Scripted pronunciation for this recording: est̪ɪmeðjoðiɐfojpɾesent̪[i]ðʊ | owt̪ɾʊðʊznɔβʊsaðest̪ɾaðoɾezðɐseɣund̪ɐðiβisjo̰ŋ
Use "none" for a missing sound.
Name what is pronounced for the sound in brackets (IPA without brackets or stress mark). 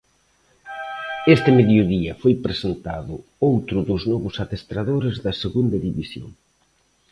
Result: a